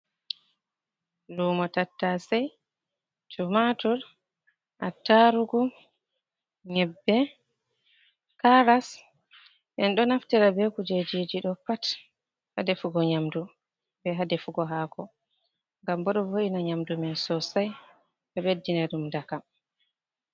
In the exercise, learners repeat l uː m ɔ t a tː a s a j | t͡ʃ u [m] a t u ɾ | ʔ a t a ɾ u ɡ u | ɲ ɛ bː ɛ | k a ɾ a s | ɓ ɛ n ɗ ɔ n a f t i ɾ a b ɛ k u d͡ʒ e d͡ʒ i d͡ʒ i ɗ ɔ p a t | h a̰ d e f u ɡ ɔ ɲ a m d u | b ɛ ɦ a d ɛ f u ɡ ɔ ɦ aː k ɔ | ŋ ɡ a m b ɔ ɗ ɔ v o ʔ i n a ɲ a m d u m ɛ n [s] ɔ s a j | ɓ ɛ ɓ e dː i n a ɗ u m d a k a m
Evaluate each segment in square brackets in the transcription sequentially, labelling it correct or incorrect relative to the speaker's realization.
correct, correct

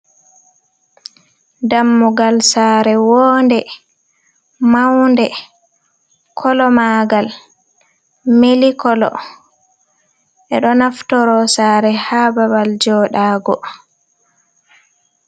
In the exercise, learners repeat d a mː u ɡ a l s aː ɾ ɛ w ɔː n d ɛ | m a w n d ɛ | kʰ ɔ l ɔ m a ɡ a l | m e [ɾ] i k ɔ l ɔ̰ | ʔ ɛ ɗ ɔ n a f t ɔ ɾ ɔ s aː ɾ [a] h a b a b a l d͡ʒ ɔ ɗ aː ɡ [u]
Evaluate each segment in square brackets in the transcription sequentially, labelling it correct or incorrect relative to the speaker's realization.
incorrect, incorrect, incorrect

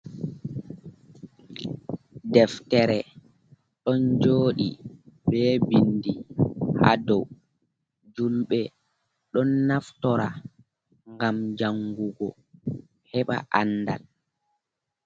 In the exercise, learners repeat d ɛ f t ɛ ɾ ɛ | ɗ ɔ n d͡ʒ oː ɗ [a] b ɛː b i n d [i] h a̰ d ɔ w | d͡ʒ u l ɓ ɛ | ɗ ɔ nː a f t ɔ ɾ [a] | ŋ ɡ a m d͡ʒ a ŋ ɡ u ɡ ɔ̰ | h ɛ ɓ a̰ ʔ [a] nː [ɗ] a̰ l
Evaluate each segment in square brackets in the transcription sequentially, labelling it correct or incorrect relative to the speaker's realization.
incorrect, correct, correct, correct, incorrect

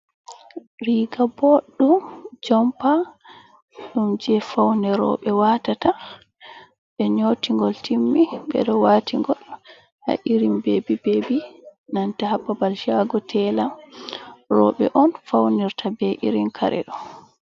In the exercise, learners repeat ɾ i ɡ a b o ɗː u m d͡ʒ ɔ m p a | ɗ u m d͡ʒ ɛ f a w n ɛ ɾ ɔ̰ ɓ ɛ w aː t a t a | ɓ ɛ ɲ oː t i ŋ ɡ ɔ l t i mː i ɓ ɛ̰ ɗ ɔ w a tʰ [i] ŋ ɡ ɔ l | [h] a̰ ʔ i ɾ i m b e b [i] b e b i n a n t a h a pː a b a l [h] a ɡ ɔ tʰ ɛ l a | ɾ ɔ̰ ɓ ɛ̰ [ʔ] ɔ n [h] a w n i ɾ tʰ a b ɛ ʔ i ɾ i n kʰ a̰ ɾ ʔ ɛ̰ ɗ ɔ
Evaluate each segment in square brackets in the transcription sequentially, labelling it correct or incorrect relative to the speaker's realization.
correct, correct, correct, incorrect, correct, incorrect

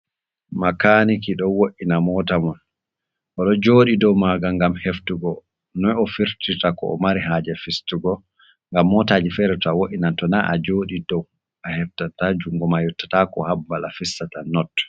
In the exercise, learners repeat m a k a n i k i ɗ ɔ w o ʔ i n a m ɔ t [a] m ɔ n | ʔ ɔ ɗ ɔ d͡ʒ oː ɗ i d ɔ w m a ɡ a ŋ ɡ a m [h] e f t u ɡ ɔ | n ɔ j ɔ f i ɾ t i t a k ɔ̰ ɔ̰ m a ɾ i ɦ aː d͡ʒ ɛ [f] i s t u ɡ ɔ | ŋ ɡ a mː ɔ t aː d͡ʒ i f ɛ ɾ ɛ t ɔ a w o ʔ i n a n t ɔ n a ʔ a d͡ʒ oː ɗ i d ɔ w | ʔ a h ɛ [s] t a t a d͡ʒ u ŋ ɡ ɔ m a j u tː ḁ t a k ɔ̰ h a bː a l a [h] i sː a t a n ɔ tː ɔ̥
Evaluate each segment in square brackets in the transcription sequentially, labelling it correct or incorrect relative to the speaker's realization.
correct, correct, correct, incorrect, incorrect

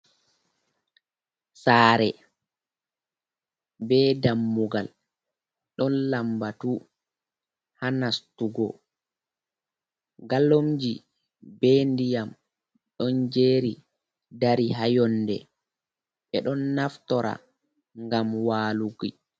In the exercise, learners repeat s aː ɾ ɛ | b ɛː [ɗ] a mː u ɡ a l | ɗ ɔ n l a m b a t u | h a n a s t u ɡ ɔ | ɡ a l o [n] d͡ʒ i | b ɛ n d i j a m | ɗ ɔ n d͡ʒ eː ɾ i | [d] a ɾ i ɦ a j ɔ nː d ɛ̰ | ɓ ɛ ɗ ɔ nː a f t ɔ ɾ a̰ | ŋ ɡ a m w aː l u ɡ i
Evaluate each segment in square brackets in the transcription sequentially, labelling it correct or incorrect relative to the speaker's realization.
incorrect, incorrect, correct

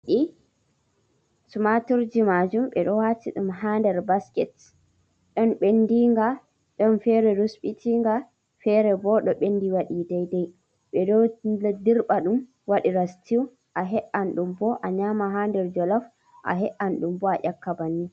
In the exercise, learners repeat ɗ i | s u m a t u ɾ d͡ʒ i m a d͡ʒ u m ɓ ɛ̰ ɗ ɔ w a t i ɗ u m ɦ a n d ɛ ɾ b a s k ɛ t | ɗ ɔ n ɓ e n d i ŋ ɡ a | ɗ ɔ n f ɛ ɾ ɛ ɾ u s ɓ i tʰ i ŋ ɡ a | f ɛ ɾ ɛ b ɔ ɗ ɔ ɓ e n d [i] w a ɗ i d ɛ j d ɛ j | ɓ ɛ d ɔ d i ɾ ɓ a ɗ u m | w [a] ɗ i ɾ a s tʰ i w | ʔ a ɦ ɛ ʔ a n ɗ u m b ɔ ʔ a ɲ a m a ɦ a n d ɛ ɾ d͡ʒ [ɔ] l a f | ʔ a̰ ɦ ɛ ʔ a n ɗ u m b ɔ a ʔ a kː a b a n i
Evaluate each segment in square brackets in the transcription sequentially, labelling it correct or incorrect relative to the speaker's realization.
correct, correct, correct

